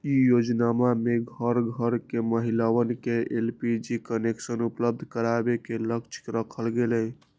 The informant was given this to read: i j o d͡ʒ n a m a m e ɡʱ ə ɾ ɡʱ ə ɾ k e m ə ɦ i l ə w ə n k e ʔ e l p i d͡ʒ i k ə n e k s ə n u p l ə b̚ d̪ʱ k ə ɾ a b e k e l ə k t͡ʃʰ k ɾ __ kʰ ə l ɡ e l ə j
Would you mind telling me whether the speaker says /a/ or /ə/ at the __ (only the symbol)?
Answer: ə